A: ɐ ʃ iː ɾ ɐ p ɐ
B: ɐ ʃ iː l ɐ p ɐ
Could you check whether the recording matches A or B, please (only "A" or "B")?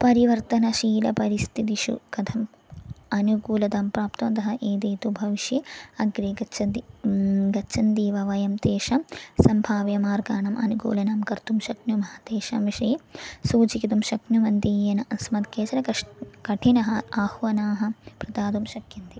B